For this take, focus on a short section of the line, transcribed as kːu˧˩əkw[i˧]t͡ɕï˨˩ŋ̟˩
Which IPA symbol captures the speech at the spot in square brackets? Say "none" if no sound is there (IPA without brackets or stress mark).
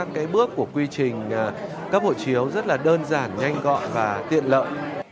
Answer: i˧